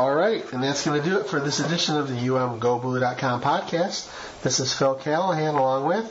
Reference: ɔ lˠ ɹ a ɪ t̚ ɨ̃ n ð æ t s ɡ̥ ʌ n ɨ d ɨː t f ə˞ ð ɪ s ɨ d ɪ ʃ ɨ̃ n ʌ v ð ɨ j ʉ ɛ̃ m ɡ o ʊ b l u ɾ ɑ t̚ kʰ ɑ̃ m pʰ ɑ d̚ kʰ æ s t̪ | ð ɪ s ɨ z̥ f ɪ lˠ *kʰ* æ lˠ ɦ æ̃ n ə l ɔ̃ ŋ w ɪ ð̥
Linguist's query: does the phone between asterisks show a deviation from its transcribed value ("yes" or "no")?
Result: no